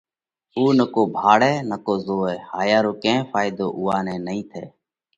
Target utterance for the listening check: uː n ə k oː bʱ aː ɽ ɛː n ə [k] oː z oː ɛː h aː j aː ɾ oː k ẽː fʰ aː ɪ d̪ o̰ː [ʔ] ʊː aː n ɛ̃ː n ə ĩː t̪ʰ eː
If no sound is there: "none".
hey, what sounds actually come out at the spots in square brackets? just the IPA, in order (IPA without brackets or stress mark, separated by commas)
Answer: k, ʔ